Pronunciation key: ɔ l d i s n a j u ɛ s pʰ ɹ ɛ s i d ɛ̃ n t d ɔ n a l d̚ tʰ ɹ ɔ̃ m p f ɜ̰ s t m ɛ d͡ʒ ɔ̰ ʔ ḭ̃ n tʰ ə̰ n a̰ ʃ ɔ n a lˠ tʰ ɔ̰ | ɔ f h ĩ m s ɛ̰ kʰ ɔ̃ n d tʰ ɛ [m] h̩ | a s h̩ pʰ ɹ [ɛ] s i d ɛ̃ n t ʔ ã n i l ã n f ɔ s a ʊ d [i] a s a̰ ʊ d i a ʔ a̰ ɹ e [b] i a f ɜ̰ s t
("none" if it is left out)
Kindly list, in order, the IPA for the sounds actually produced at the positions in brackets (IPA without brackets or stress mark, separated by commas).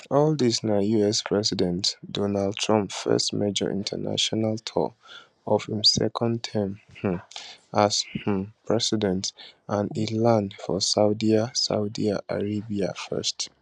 m, ɛ, i, b